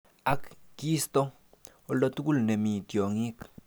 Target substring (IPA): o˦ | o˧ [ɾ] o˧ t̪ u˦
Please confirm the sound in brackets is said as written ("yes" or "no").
no